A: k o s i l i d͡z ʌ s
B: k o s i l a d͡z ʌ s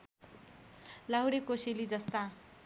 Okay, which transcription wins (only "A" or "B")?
A